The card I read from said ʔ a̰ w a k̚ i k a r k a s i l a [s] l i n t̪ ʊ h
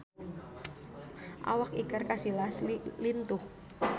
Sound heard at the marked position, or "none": s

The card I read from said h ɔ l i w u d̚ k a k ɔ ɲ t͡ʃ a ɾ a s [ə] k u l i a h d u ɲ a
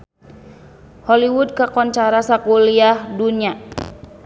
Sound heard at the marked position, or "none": a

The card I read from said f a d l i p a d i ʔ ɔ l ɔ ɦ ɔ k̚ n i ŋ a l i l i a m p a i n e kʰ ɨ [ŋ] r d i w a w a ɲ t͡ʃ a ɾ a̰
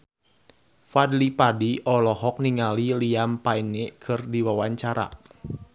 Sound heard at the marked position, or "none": none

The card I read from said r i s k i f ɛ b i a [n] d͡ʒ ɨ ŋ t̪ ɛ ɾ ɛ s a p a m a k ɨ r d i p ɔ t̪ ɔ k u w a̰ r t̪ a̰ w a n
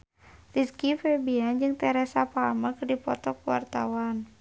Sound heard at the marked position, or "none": n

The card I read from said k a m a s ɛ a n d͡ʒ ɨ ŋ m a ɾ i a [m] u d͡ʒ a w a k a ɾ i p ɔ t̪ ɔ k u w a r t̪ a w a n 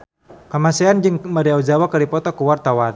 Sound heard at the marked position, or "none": none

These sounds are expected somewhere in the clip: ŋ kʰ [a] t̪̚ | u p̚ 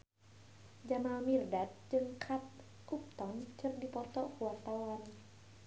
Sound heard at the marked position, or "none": a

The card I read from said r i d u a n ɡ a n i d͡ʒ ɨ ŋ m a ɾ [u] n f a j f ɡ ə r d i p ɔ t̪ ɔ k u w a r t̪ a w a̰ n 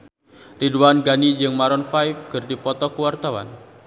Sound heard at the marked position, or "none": ɔ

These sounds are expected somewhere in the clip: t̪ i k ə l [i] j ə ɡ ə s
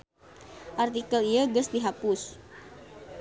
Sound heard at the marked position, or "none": i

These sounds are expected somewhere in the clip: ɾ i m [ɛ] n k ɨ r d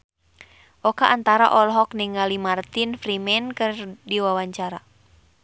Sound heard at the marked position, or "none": ɛ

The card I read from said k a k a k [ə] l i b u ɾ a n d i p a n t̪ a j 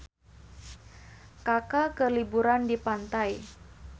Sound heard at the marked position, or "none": ə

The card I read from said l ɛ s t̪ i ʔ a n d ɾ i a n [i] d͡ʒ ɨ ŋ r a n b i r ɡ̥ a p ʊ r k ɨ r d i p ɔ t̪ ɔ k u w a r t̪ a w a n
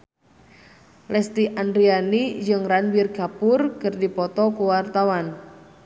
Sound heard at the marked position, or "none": i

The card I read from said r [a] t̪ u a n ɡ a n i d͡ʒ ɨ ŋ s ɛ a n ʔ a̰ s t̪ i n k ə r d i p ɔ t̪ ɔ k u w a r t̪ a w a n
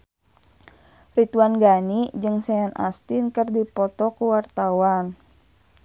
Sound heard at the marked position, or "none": i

